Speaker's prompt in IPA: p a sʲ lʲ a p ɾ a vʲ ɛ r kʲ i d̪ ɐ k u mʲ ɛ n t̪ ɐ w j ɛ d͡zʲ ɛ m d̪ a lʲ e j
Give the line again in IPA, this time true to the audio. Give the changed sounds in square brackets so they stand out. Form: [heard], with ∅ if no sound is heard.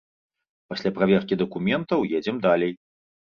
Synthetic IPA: p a sʲ lʲ a p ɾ a vʲ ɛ r kʲ i d̪ ɐ k u mʲ ɛ n t̪ ɐ w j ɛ d͡zʲ ɛ m d̪ a lʲ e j